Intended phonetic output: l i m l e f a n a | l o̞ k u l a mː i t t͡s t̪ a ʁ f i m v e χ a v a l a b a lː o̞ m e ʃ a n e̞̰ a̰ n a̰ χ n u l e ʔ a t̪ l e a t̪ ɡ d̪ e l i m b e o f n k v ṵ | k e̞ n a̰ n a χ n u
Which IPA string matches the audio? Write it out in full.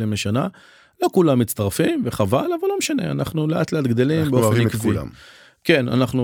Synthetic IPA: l i m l e ʃ a n a | l o̞ k u l a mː i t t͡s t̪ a ʁ f i m v e χ a v a l a v a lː o̞ m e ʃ a n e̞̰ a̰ n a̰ χ n u l e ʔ a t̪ l e a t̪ ɡ d̪ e l i m b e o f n k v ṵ | k e̞ n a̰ n a χ n u